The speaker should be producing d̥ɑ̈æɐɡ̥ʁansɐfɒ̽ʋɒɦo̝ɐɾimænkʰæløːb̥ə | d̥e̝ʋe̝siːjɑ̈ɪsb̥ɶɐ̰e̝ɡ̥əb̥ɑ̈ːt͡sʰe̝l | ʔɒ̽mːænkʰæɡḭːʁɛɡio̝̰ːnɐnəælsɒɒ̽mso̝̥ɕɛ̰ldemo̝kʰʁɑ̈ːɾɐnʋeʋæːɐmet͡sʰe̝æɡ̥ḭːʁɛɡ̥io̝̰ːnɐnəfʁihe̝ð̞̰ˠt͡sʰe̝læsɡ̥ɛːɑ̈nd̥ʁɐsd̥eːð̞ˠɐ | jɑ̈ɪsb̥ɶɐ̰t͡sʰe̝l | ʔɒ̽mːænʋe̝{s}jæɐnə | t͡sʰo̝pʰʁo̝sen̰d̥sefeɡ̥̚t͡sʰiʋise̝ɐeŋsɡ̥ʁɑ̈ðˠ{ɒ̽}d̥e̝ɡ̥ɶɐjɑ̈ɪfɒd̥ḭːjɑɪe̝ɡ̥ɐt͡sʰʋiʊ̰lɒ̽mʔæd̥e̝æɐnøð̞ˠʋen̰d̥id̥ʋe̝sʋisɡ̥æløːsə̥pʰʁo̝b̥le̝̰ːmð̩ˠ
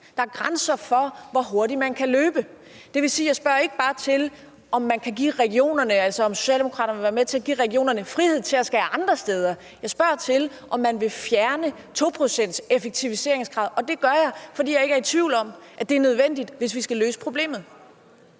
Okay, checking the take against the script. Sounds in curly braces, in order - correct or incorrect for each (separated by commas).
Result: incorrect, correct